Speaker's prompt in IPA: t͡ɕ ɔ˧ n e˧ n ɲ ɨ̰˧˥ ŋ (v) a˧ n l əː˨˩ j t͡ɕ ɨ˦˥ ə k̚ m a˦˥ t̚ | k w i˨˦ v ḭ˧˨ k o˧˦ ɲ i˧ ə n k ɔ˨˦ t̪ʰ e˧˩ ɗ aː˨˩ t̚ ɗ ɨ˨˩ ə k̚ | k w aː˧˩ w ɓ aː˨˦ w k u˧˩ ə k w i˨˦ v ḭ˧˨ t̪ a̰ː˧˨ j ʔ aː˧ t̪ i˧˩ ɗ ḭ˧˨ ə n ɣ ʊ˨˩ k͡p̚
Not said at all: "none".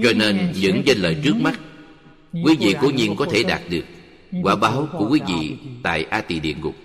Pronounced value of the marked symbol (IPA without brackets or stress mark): z